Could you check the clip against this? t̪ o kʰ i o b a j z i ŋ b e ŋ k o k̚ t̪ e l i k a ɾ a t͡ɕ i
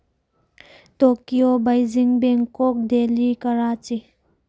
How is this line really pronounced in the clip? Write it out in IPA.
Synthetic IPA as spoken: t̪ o k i o b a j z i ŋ b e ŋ k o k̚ d̪ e l i k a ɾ a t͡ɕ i

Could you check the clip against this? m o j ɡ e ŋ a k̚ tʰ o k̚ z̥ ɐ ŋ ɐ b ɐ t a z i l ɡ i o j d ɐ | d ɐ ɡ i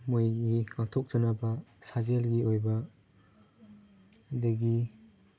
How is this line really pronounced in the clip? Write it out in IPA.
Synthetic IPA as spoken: m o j ɡ i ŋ a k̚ tʰ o k̚ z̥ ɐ n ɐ b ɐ s a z e l ɡ i o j b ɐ | d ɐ ɡ i

